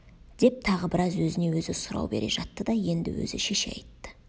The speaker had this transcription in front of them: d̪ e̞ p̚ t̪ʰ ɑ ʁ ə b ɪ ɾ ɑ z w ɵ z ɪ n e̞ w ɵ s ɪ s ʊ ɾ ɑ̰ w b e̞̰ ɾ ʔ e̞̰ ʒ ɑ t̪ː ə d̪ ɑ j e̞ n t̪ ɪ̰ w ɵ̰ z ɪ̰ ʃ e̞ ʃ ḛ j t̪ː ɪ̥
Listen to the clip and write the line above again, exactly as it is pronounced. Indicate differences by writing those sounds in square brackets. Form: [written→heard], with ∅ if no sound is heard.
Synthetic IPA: d̪ e̞ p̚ t̪ʰ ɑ ʁ ə b ɪ ɾ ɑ z w ɵ z ɪ n e̞ w ɵ [s→z] ɪ s ʊ ɾ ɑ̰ w b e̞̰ ɾ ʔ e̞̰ ʒ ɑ t̪ː ə d̪ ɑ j e̞ n [t̪→d̪] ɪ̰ w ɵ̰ z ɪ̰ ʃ e̞ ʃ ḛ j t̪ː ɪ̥